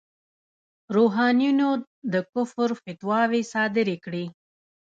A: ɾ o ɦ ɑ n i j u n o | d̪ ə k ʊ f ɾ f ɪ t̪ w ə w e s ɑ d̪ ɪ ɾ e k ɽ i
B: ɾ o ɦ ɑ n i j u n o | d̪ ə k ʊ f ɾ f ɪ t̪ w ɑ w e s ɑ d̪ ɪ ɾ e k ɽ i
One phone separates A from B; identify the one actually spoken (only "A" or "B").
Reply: B